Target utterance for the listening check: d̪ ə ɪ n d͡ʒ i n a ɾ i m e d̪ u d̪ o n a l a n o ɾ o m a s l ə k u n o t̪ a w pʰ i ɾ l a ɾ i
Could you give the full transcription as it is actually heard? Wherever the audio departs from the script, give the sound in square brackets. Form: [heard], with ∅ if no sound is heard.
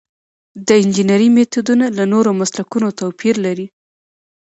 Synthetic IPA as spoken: d̪ ə ɪ n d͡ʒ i n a ɾ i m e [t̪] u d̪ [u] n a l a n o ɾ o m a s l [a] k u n o t̪ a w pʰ i ɾ l a ɾ i